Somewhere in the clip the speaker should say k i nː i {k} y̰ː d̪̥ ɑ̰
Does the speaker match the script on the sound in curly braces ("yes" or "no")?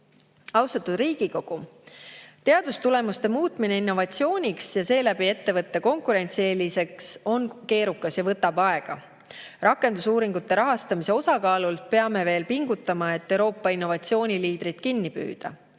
no